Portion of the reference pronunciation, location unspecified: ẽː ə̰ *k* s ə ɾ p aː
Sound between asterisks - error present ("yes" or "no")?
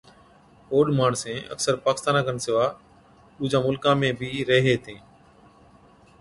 no